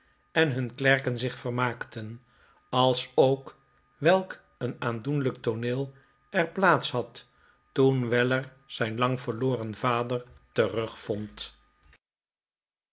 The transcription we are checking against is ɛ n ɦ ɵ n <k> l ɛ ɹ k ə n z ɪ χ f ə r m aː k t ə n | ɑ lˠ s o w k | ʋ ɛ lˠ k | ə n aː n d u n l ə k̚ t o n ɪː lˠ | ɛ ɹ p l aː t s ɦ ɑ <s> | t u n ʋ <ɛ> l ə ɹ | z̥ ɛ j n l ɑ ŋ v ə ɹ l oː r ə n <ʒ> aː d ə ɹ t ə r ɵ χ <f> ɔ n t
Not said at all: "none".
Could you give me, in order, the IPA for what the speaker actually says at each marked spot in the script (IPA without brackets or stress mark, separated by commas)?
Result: k, t, ɛ, v, f